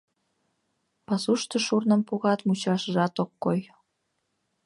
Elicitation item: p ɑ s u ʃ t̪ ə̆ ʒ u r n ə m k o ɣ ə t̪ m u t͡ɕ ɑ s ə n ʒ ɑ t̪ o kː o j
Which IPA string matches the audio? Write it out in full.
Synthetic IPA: p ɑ s u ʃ t̪ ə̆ ʃ u r n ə m p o ɣ ɑ t̪ m u t͡ɕ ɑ ʃ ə ʒ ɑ t̪ o kː o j

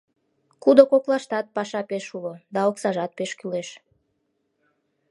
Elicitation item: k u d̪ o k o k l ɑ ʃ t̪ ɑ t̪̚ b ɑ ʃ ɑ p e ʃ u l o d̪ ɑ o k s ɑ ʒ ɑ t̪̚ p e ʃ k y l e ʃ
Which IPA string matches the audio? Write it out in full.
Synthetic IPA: k u d̪ o k o k l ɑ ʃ t̪ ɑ t̪̚ p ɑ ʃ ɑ p e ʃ u l o d̪ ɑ o k s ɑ ʒ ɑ t̪̚ p e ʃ k y l e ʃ

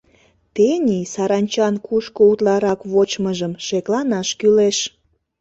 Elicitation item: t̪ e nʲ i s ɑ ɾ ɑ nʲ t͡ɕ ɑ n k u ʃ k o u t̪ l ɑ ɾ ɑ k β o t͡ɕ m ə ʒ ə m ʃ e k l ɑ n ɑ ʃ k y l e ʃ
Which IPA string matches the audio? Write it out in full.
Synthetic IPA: t̪ e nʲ i s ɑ ɾ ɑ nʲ t͡ɕ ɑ n k u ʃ k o u t̪ l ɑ ɾ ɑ k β o t͡ɕ m ə ʒ ə m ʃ e k l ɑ n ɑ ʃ k y l e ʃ

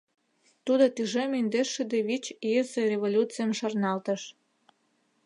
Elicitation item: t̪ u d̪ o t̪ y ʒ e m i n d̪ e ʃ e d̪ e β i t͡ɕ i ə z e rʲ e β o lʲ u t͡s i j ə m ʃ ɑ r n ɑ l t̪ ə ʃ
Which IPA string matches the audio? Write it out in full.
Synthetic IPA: t̪ u d̪ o t̪ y ʒ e m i n d̪ e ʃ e d̪ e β i t͡ɕ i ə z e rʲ e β o lʲ u t͡s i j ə m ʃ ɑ r n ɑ l t̪ ə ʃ

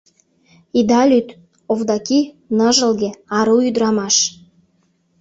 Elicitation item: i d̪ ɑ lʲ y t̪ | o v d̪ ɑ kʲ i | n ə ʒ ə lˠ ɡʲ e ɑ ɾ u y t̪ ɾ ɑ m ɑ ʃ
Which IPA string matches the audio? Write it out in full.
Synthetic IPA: i d̪ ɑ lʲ y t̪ | o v d̪ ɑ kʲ i | n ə ʒ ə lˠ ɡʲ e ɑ ɾ u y d̪ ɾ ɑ m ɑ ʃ

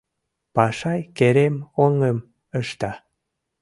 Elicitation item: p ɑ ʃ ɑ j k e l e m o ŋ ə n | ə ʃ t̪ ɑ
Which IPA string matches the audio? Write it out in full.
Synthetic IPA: p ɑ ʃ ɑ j k e ɾ e m o ŋ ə m | ə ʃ t̪ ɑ

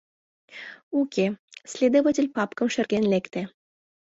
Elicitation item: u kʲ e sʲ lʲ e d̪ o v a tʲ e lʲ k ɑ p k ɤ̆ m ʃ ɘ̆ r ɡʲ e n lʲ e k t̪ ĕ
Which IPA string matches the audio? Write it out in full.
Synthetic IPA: u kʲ e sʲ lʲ e d̪ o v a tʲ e lʲ p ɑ p k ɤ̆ m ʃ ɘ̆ r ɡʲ e n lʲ e k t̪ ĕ

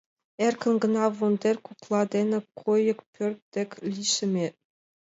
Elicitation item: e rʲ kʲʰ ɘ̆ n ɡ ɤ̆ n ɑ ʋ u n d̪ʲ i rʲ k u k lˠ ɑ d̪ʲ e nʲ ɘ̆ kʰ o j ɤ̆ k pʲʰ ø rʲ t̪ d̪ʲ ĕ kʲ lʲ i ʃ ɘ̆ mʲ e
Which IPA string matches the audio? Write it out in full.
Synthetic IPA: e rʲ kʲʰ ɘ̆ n ɡ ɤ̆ n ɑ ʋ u n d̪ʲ e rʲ k u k lˠ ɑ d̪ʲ e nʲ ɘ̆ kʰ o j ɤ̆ k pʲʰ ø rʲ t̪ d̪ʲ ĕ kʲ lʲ i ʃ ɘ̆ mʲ e

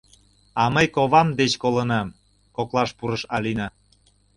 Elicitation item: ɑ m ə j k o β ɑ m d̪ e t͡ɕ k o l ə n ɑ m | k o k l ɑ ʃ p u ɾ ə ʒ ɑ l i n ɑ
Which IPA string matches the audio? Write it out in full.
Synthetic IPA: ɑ m ə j k o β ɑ m d̪ e t͡ɕ k o l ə n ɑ m | k o k l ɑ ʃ p u ɾ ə ʃ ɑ l i n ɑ

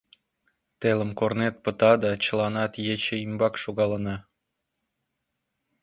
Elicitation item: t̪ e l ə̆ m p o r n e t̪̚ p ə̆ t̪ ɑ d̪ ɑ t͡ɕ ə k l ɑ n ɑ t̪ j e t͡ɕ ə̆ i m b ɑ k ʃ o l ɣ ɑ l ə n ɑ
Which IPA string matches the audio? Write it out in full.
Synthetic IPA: t̪ e l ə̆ m k o r n e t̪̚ p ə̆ t̪ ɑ d̪ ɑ t͡ɕ ə l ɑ n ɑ t̪ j e t͡ɕ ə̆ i m b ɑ k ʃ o ɣ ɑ l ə n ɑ

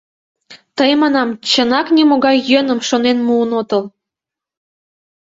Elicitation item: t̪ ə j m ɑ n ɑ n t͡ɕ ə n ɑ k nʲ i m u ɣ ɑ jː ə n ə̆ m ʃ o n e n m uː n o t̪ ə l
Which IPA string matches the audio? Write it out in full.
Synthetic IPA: t̪ ə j m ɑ n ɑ m t͡ɕ ə n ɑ k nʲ i m o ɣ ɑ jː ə n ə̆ m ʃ o n e n m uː n o t̪ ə l

